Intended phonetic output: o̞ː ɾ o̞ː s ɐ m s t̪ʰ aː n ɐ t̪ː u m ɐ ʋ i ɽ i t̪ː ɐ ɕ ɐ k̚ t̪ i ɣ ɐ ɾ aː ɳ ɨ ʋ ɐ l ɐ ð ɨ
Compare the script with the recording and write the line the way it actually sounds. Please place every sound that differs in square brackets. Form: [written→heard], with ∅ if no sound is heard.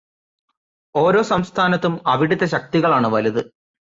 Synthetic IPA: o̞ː ɾ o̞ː s ɐ m s t̪ʰ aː n ɐ t̪ː u m ɐ ʋ i ɽ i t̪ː ɐ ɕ ɐ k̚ t̪ i ɣ ɐ [ɾ→ɭ] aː ɳ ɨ ʋ ɐ l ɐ ð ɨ